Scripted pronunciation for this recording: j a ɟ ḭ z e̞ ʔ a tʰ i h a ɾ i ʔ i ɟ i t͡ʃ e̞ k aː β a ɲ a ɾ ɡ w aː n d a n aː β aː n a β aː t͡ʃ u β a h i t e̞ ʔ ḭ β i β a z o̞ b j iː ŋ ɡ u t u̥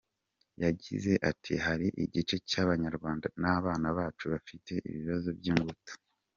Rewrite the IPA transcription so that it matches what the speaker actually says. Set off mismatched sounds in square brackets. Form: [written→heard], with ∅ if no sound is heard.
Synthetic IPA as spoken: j a ɟ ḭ z e̞ ʔ a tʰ i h a ɾ i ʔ i ɟ i t͡ʃ e̞ [k→c] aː β a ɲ a ɾ ɡ w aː n d a n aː β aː n a β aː t͡ʃ u β a [h→f] i t e̞ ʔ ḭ β i β a z o̞ b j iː ŋ ɡ u t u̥